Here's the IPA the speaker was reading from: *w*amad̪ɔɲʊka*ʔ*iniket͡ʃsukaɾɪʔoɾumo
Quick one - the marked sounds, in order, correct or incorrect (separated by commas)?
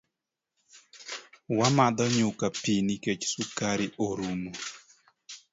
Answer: correct, incorrect